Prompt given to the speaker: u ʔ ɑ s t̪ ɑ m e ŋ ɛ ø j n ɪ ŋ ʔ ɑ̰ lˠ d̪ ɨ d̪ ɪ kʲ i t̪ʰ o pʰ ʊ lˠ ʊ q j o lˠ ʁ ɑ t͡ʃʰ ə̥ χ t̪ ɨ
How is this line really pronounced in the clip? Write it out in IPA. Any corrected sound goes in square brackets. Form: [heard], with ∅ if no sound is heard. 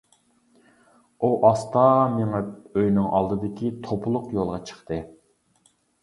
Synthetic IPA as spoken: u ʔ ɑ s t̪ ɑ m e ŋ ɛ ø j n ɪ ŋ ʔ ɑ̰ lˠ d̪ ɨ d̪ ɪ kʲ i t̪ʰ o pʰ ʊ lˠ ʊ q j o lˠ ʁ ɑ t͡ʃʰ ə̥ χ t̪ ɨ